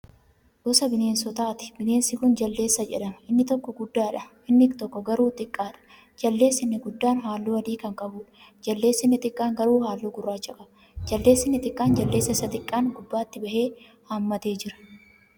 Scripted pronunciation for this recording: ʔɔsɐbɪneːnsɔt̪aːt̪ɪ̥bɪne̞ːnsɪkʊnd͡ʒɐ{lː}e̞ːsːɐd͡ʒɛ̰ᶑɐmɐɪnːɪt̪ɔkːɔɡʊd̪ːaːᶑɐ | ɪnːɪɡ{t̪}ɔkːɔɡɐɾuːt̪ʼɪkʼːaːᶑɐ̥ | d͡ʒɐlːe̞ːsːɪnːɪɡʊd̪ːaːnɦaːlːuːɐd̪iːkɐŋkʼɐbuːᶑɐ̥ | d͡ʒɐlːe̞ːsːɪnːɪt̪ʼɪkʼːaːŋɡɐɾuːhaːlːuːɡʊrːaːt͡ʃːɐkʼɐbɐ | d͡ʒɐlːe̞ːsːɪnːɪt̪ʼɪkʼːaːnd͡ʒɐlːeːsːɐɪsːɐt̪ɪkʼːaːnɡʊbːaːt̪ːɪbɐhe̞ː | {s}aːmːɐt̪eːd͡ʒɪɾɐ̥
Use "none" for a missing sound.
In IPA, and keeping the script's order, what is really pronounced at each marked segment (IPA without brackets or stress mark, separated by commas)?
lː, t̪, h